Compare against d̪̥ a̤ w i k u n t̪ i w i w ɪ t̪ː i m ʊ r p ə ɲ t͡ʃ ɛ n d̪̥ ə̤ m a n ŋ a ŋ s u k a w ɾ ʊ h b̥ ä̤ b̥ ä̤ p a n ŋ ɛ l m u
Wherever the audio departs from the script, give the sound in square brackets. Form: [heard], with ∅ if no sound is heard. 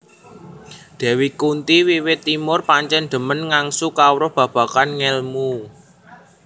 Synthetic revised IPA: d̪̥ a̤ w i k u n t̪ i w i w ɪ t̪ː i m ʊ r p [a] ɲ t͡ʃ ɛ n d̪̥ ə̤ m [ə] n ŋ a ŋ s u k a w ɾ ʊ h b̥ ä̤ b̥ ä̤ [k] a n ŋ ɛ l m u